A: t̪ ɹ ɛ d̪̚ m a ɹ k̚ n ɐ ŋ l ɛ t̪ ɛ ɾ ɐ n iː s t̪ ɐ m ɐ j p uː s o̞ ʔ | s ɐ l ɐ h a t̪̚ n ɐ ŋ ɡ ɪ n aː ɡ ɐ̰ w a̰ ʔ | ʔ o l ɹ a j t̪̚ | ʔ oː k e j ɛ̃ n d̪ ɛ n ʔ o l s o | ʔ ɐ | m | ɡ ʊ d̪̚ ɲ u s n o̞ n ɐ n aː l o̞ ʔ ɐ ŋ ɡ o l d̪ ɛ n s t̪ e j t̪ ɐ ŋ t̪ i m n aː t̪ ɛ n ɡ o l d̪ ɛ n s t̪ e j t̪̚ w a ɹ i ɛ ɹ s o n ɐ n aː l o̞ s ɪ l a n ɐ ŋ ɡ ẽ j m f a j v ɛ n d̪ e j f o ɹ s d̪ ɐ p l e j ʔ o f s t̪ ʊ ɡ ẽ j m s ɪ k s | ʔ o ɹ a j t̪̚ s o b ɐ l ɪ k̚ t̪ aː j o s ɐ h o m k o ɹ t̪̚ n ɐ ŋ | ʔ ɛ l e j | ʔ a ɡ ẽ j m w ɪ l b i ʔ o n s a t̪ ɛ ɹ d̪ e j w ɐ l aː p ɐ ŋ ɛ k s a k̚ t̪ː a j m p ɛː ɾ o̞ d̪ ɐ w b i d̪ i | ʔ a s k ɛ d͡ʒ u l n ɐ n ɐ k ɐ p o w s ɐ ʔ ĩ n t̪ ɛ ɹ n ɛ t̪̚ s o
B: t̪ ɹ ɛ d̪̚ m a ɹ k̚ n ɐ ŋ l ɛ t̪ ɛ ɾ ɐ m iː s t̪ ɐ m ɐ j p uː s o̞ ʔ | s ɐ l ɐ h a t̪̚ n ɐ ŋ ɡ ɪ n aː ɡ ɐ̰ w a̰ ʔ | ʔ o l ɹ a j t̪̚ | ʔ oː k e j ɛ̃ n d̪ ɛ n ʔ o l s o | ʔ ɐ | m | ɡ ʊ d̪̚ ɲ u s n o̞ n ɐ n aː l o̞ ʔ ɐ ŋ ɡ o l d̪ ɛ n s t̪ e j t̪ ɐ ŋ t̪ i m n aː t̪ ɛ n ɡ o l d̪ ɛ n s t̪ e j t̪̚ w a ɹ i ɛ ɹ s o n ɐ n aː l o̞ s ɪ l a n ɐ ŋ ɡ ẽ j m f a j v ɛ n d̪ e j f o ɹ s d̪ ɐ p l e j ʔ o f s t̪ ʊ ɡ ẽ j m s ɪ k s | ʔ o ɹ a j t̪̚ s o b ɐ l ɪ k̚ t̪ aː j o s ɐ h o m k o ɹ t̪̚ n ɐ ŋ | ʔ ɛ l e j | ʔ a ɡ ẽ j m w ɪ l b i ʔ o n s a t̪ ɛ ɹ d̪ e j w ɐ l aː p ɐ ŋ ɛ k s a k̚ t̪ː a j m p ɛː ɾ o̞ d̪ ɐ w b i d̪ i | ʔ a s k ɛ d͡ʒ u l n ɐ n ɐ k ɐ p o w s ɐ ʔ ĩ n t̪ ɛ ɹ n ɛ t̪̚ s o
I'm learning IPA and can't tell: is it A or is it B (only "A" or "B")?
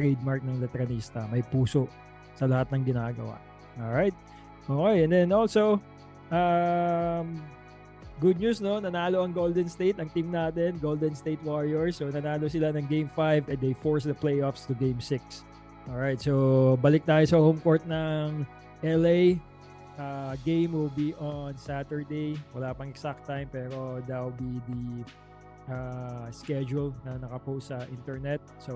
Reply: A